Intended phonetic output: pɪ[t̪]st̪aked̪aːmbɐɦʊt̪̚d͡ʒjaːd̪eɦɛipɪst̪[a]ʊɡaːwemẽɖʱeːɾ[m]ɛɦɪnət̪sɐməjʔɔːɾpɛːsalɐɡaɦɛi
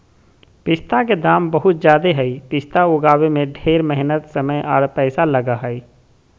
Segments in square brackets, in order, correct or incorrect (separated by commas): incorrect, correct, correct